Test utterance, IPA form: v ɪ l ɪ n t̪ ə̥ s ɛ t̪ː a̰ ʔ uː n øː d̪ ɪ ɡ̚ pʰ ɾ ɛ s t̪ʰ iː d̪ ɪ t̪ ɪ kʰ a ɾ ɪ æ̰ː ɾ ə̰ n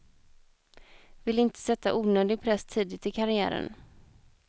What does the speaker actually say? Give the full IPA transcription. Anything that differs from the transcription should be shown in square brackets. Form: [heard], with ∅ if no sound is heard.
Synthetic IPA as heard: v ɪ l ɪ n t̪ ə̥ s ɛ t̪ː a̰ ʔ uː n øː d̪ ɪ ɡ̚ pʰ ɾ ɛ s t̪ʰ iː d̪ ɪ t̪ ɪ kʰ a ɾ ɪ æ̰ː ɾ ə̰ n

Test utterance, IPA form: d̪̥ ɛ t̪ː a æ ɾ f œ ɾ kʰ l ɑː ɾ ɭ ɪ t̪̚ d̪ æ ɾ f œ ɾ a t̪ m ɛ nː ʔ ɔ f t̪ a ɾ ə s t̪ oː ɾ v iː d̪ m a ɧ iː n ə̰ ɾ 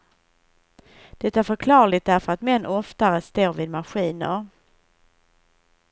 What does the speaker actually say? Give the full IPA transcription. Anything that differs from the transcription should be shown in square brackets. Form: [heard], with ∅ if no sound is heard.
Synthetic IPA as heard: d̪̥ ɛ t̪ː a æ ɾ f œ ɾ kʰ l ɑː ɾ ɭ ɪ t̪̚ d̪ æ ɾ f œ ɾ a t̪ m ɛ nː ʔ ɔ f t̪ a ɾ ə s t̪ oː ɾ v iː d̪ m a ɧ iː n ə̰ ɾ

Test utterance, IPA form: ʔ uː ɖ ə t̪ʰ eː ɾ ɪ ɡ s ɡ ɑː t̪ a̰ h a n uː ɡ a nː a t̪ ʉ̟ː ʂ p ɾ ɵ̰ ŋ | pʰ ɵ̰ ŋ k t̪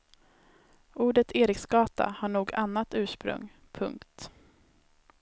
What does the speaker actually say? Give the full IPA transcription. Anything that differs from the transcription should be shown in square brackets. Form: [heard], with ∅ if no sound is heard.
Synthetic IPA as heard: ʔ uː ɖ ə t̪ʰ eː ɾ ɪ [k] s ɡ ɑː t̪ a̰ h a [ɳ] uː ɡ a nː a t̪ ʉ̟ː ʂ p ɾ ɵ̰ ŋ | pʰ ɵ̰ ŋ k t̪

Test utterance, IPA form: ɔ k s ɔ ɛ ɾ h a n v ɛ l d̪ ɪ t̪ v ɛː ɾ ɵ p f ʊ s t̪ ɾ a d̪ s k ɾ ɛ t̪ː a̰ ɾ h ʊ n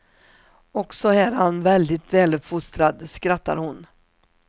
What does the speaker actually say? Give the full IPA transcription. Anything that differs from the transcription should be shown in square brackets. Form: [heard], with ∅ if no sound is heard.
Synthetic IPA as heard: ɔ k s ɔ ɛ ɾ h a n v ɛ l d̪ ɪ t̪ v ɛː [l] ɵ p f ʊ s t̪ ɾ a d̪ s k ɾ [a] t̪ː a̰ ɾ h ʊ n

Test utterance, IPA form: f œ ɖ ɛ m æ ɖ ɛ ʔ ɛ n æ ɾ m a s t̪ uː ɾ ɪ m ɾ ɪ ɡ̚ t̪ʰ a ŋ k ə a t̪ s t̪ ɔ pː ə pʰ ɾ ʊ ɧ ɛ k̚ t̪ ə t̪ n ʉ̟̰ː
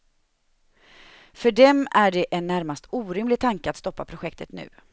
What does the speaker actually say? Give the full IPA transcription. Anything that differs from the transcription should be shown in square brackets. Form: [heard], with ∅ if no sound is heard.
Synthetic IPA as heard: f œ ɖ ɛ m æ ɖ ɛ ʔ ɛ [nː] æ ɾ m a s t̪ uː ɾ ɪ m [l] ɪ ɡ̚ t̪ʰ a ŋ k ə a t̪ s t̪ ɔ pː [a] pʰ ɾ ʊ ɧ ɛ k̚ t̪ ə t̪ n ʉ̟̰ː

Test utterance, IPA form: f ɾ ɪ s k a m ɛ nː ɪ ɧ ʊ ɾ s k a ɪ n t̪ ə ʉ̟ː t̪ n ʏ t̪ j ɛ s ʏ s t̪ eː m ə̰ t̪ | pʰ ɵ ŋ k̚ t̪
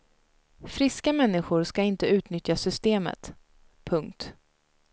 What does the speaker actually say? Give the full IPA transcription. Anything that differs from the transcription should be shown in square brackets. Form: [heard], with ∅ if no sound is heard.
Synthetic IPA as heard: f ɾ ɪ s k a m ɛ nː ɪ ɧ ʊ ɾ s k a ɪ n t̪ ə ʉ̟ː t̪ n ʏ t̪ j [a] s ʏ s t̪ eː m ə̰ t̪ | pʰ ɵ ŋ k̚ t̪

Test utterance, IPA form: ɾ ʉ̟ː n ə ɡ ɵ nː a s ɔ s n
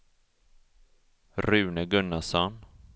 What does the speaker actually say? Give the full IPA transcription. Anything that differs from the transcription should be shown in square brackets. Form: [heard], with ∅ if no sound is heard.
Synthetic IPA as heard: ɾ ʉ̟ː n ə ɡ ɵ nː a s ɔ [∅] n

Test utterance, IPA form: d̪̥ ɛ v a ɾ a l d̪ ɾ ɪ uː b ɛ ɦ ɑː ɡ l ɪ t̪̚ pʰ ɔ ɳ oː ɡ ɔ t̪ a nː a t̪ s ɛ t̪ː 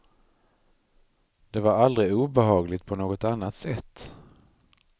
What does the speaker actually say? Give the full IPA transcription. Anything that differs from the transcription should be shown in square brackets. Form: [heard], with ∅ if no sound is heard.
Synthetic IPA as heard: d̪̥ ɛ v a ɾ a l d̪ ɾ ɪ uː b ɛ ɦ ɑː ɡ l ɪ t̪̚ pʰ ɔ [n] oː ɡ ɔ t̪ a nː a t̪ s ɛ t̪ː

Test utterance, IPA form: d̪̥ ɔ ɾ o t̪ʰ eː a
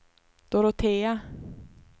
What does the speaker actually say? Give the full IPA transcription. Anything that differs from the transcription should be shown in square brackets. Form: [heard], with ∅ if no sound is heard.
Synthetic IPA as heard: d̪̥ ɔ ɾ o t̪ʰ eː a

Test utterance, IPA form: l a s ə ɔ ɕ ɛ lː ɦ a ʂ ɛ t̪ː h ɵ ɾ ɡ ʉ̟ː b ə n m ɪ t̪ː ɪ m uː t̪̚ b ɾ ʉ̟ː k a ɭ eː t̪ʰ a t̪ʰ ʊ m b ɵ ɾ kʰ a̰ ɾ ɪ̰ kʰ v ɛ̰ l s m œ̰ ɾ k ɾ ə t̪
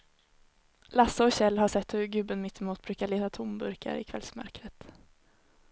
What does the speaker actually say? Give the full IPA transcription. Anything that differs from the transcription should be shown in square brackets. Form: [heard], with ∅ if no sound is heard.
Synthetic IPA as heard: l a s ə ɔ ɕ ɛ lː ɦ a ʂ ɛ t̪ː h ɵ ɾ ɡ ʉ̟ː b ə n m ɪ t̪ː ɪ m uː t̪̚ b ɾ ʉ̟ː k a ɭ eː [t̪] a t̪ʰ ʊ m b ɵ ɾ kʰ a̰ ɾ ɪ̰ kʰ v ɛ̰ l s m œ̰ ɾ k ɾ ə t̪

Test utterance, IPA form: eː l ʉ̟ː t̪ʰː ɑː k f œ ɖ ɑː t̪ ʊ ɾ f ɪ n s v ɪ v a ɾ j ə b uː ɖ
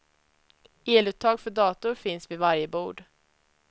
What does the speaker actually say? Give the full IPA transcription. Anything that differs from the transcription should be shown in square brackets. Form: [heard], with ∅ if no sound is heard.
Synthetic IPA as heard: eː l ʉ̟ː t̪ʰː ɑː [ɡ] f œ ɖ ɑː t̪ ʊ ɾ f ɪ n s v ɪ v a ɾ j ə b uː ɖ

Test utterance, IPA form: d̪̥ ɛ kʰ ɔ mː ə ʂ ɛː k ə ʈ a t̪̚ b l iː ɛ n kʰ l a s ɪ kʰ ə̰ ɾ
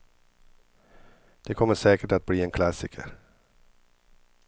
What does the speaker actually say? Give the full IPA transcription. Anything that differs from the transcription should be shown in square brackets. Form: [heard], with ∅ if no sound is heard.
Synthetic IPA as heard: d̪̥ ɛ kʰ ɔ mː ə ʂ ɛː k ə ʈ a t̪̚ b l iː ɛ n kʰ l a s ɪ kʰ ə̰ ɾ

